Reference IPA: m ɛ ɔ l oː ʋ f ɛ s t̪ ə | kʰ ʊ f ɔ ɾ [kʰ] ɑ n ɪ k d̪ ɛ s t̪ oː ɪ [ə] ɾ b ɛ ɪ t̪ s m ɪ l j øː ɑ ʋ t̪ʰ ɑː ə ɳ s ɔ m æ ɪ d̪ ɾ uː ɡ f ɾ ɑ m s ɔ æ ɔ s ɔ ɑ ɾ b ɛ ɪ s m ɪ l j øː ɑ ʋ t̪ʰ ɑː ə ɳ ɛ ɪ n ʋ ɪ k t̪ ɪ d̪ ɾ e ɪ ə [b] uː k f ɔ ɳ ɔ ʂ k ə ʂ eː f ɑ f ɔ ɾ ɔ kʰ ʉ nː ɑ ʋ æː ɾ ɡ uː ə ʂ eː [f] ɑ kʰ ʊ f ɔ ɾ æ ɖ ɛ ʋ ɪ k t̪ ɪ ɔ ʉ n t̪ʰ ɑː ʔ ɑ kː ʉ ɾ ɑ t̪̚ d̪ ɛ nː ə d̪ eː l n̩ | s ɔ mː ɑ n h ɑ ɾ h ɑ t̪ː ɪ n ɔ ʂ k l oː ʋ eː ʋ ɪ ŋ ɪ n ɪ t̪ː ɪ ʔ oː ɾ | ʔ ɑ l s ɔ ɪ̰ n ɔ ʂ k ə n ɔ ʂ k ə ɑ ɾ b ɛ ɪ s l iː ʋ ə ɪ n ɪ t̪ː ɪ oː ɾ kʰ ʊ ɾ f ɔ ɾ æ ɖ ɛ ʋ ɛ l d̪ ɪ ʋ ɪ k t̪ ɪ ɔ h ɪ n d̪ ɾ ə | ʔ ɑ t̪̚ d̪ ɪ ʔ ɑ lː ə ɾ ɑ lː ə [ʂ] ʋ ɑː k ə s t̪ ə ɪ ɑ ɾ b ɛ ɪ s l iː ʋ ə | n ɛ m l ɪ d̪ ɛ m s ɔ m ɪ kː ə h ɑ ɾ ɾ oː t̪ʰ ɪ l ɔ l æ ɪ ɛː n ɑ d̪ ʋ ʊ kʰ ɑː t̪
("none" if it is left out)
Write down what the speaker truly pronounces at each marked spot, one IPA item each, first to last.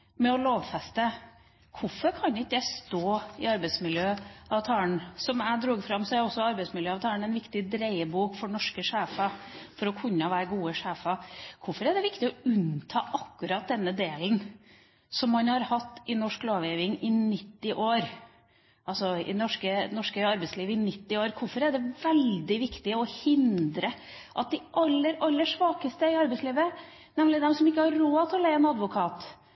kʰ, ɑ, b, f, ʂ

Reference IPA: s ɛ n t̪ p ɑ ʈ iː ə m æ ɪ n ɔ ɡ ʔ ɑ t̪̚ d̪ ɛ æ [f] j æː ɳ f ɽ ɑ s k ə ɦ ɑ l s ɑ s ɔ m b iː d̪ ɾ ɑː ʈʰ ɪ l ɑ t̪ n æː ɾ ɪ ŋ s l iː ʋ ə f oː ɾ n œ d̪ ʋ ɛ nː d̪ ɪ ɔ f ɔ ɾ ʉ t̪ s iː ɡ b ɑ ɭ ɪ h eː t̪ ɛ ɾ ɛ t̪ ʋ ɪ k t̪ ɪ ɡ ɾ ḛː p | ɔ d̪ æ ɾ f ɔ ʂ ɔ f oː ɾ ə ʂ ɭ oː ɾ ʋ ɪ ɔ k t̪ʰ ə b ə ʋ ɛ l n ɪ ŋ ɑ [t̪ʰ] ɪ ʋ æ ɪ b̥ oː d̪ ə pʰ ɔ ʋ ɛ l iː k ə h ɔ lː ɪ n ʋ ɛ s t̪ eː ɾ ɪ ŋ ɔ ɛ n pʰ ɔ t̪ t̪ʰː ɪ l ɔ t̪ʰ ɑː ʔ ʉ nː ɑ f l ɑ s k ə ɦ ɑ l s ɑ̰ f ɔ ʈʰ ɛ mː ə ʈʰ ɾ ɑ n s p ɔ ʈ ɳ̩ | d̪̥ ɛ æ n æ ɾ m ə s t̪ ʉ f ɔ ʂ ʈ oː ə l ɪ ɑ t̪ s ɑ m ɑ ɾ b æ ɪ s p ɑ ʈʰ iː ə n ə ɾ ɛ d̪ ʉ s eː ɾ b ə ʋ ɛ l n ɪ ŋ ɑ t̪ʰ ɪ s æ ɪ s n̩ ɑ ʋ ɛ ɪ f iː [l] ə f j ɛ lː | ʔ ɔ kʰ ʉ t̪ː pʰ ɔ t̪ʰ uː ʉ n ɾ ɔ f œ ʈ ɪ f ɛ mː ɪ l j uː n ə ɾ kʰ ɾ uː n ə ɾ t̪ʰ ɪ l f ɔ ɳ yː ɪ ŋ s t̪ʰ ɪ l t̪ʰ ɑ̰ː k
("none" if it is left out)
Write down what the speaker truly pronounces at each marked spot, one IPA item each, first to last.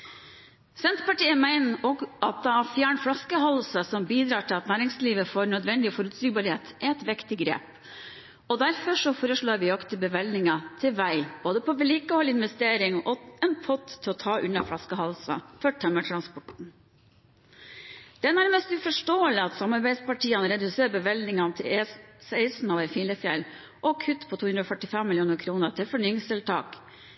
f, t̪ʰ, l

